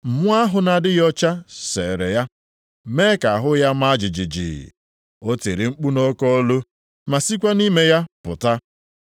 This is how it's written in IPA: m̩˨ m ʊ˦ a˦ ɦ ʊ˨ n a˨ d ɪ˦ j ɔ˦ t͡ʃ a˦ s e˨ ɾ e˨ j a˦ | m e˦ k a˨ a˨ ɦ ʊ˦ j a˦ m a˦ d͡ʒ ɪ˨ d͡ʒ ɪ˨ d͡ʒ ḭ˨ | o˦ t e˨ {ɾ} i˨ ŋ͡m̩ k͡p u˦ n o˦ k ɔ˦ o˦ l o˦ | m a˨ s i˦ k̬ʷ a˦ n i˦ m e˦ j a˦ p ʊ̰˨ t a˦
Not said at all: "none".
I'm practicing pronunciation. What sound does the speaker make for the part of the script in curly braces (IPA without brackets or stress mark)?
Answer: ɾ